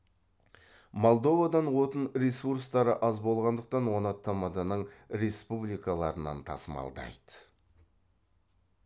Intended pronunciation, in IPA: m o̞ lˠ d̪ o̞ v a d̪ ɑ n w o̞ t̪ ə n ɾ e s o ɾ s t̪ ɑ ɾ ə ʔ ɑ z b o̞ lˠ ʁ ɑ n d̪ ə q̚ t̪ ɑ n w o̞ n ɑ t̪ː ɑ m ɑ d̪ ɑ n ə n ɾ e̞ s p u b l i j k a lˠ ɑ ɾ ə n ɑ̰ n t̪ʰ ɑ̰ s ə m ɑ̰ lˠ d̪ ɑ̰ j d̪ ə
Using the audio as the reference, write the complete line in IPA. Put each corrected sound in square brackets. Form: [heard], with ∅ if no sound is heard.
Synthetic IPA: m o̞ lˠ d̪ o̞ v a d̪ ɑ n w o̞ t̪ ə n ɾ e s [u] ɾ s t̪ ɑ ɾ ə ʔ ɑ z b o̞ lˠ ʁ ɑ n d̪ ə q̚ t̪ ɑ n w o̞ n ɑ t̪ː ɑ m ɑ d̪ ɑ n ə [ɴ] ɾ e̞ s p u b l i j k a lˠ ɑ ɾ ə n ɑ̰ n t̪ʰ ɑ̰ s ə m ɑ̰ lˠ d̪ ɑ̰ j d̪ ə

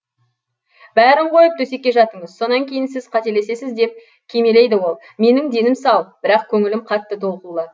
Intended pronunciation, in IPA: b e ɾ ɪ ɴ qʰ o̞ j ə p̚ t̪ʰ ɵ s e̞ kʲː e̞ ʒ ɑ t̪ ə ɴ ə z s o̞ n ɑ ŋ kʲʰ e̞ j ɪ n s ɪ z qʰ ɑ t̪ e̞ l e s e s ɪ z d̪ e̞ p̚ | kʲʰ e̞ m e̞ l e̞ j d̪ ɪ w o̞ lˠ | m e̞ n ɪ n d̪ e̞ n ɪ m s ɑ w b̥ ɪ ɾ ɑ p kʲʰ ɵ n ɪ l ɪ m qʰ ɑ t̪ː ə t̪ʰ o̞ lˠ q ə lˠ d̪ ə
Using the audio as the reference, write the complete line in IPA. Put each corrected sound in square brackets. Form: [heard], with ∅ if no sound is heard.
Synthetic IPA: b [æ] ɾ ɪ ɴ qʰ o̞ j ə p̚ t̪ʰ ɵ s e̞ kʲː e̞ ʒ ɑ t̪ ə ɴ ə z s o̞ n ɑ ŋ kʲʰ e̞ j ɪ n s ɪ z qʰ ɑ t̪ e̞ l e s e s ɪ z d̪ e̞ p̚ | kʲʰ e̞ m e̞ l e̞ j d̪ ɪ w o̞ lˠ | m e̞ n ɪ [ŋ] d̪ e̞ n ɪ m s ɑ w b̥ ɪ ɾ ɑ [q] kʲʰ ɵ [ŋ] ɪ l ɪ m qʰ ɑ t̪ː ə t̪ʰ o̞ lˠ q ə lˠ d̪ ə

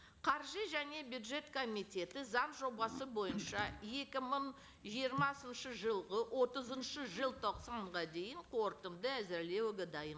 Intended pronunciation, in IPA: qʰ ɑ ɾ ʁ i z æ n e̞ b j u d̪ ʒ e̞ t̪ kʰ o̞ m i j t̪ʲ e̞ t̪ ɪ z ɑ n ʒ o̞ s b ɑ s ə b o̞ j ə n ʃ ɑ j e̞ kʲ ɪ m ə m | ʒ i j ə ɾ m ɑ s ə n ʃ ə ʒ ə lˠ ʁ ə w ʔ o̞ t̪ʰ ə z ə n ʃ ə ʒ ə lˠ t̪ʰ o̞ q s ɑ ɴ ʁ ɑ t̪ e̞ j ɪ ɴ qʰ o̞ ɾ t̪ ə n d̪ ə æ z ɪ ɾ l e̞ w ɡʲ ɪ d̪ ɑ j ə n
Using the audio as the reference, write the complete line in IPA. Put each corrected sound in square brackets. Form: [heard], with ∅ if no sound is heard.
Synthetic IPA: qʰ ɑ ɾ [ʒ] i [ʒ] æ n e̞ b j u d̪ ʒ e̞ t̪ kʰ o̞ m i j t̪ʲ e̞ t̪ ɪ z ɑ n ʒ o̞ [∅] b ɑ s ə b o̞ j ə n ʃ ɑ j e̞ kʲ ɪ m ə [ɴ] | ʒ i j ə ɾ m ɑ s ə n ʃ ə ʒ ə lˠ ʁ ə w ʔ o̞ [t̪] ə z ə n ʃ ə ʒ ə lˠ t̪ʰ o̞ q s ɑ ɴ ʁ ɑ [d̪] e̞ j ɪ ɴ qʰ o̞ ɾ t̪ ə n d̪ ə æ z ɪ ɾ l e̞ w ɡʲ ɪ d̪ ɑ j ə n

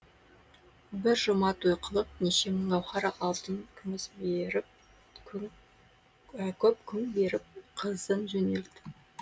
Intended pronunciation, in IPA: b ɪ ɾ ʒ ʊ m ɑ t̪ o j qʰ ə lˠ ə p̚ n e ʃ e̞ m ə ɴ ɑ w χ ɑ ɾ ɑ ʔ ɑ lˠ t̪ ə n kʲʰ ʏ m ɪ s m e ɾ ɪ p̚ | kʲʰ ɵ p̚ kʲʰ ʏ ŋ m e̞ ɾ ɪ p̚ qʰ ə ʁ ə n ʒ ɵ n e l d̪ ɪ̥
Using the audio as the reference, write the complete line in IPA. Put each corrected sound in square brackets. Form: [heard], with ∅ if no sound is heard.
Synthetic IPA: b ɪ ɾ ʒ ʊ m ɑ t̪ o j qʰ ə lˠ ə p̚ n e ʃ e̞ m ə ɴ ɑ w χ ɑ ɾ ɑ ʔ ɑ lˠ t̪ ə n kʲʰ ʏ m ɪ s [b] e ɾ ɪ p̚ | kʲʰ ɵ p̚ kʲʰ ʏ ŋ [b] e̞ ɾ ɪ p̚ qʰ ə [z] ə n ʒ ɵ n e l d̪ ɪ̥

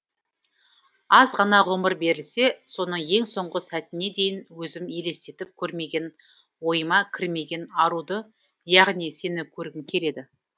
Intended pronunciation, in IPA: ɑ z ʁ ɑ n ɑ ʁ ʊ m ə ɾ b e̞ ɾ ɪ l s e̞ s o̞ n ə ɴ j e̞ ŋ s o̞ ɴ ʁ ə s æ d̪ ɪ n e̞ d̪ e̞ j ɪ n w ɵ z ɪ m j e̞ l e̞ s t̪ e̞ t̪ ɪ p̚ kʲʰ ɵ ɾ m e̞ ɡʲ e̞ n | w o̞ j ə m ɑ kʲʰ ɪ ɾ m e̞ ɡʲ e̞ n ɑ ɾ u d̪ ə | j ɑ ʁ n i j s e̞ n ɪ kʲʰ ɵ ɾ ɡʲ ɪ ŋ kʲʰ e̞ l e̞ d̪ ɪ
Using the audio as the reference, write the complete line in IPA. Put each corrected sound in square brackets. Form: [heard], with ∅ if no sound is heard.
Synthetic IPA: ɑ z ʁ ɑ n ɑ ʁ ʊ m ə ɾ b e̞ ɾ ɪ l s e̞ s o̞ n ə ɴ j e̞ ŋ s o̞ ɴ ʁ ə s æ [t̪] ɪ n e̞ d̪ e̞ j ɪ n w ɵ z ɪ m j e̞ l e̞ s t̪ e̞ t̪ ɪ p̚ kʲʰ ɵ ɾ m e̞ ɡʲ e̞ n | w o̞ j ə m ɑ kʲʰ ɪ ɾ m e̞ ɡʲ e̞ n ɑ ɾ u d̪ ə | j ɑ ʁ n i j s e̞ n ɪ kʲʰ ɵ ɾ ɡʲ ɪ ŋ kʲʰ e̞ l e̞ d̪ ɪ

